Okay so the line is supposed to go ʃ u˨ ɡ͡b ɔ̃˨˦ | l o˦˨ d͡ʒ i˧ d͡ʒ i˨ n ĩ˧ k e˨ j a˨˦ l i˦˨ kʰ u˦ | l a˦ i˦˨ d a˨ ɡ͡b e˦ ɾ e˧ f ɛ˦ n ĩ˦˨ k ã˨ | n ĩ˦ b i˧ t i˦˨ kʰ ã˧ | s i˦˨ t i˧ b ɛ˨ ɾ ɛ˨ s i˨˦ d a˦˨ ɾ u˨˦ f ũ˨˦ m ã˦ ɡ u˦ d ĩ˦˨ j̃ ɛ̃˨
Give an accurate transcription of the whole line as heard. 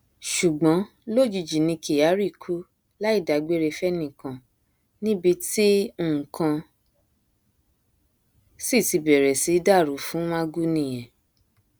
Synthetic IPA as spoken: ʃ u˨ ɡ͡b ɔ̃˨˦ | l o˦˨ d͡ʒ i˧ d͡ʒ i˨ n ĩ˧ k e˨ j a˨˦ ɾ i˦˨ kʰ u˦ | l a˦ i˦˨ d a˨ ɡ͡b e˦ ɾ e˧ f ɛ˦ n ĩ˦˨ k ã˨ | n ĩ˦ b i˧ t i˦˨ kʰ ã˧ | s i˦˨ t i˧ b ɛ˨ ɾ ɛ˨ s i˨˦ d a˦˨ ɾ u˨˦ f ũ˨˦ m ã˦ ɡ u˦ n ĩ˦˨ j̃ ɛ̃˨